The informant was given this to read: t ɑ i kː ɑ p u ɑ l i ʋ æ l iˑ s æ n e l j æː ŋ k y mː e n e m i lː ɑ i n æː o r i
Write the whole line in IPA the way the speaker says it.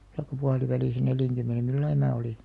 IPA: t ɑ i kː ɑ p u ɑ l i ʋ æ l iˑ s æ n e l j æ ŋ k y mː e n e m i lː ɑ i m æː o l i